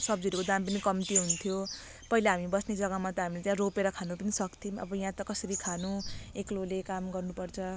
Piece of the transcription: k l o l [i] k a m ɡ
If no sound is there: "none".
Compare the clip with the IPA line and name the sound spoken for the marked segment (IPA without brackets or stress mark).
e